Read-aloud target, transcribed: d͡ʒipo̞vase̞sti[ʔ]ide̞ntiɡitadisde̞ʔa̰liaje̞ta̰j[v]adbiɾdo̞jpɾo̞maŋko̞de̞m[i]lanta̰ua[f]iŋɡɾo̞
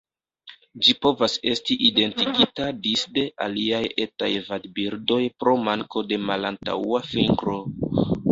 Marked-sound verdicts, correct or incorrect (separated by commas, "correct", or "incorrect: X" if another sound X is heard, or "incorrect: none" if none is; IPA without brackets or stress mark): correct, correct, incorrect: a, correct